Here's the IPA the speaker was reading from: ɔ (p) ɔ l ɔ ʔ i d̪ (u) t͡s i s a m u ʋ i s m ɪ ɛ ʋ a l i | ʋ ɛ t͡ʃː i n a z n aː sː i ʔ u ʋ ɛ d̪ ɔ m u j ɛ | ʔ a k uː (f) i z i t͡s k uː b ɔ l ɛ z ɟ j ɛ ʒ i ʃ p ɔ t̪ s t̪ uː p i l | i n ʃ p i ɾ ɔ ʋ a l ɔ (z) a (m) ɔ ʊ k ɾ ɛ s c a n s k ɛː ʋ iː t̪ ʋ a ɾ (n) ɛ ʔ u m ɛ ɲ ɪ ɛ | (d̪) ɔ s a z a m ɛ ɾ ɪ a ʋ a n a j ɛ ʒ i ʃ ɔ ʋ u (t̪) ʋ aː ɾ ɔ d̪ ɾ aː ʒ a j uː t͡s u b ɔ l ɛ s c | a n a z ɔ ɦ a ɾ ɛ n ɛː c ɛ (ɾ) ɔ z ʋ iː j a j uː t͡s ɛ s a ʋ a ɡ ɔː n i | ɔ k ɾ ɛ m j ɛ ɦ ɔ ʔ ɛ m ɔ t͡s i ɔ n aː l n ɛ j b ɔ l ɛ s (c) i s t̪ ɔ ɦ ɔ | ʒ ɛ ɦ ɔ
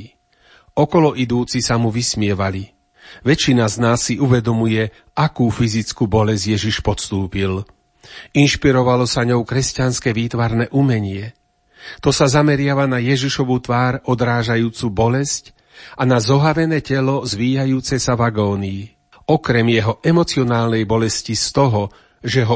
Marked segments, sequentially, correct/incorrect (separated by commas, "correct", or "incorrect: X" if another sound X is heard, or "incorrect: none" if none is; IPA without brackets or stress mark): incorrect: k, incorrect: uː, correct, incorrect: s, incorrect: ɲ, correct, incorrect: t̪, correct, incorrect: l, correct